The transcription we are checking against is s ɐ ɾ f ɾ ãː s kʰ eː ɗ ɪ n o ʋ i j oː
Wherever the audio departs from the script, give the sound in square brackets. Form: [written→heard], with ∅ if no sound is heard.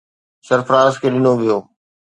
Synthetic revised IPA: s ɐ ɾ f ɾ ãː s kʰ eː ɗ ɪ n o ʋ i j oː